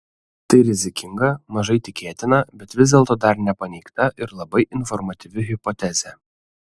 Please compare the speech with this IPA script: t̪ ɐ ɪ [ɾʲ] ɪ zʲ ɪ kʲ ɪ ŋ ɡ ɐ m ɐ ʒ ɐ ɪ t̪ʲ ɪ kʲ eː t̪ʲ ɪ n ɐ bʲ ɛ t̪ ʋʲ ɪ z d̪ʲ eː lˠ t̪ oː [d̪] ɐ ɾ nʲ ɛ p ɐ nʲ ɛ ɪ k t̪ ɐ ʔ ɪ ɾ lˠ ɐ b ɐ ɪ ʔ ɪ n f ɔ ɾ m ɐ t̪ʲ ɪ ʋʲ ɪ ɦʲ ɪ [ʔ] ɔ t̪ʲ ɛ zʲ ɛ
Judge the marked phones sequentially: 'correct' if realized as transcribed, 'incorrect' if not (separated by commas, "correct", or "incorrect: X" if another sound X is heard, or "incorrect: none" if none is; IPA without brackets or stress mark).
correct, correct, incorrect: p